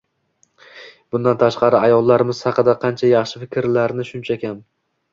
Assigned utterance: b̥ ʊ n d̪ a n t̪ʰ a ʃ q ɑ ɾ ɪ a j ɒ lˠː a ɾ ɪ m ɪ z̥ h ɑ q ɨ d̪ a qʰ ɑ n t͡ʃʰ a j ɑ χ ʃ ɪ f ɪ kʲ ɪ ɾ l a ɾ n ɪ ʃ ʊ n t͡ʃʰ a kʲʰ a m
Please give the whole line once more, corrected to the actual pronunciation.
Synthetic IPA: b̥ ʊ n d̪ a n t̪ʰ a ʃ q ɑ ɾ ɪ a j ɒ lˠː a ɾ ɪ m ɪ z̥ h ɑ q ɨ d̪ a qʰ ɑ n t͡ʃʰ a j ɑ χ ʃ ɪ f ɪ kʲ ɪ ɾ l a ɾ n ɪ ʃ ʊ n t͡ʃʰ a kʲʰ a m